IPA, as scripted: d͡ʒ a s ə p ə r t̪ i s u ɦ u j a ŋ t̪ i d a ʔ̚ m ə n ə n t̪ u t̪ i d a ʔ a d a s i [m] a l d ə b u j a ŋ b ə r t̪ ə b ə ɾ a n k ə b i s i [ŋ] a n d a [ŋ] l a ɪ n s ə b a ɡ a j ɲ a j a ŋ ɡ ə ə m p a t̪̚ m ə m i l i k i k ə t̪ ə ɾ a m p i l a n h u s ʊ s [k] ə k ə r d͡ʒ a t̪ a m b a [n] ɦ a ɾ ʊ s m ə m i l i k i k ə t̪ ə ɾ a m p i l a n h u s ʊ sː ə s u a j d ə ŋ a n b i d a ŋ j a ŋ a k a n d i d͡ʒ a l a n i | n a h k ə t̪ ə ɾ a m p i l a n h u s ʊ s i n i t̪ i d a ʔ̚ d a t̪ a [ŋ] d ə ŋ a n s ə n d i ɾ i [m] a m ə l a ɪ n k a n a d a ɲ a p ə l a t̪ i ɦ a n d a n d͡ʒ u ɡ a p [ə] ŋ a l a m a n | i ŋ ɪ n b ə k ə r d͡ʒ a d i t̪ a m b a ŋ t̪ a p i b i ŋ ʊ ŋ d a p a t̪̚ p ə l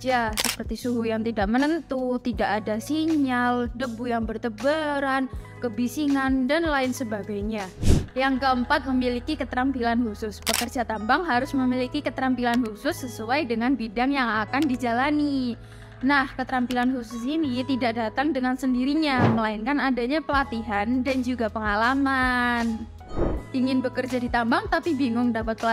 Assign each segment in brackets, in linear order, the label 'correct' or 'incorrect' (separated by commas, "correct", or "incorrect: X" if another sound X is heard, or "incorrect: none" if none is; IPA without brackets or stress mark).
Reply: incorrect: ɲ, correct, incorrect: n, incorrect: p, incorrect: ŋ, correct, incorrect: ɲ, correct